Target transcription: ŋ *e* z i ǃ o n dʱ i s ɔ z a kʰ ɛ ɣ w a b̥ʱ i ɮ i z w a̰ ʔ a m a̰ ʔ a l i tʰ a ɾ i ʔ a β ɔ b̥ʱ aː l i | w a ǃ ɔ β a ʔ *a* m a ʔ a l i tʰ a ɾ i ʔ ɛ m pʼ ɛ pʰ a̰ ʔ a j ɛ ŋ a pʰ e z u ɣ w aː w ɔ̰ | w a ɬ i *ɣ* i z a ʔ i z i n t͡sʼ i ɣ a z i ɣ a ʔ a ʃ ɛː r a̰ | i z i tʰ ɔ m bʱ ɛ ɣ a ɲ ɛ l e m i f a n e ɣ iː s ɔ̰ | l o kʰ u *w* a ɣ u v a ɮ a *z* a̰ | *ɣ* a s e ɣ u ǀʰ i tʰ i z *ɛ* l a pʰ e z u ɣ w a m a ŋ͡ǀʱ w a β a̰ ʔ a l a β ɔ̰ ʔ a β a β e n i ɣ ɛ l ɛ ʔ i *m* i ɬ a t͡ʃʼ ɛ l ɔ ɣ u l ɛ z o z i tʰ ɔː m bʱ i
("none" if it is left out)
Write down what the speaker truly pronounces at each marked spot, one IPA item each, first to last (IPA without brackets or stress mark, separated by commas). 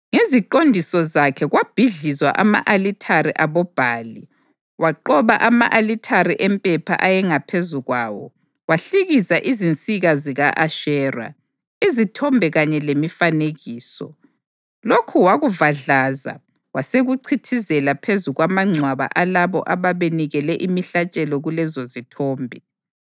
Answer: e, a, ɣ, w, z, w, ɛ, m